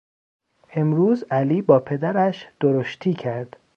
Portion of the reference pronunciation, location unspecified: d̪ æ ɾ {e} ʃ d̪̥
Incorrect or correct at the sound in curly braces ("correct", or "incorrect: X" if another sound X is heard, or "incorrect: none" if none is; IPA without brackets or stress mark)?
incorrect: æ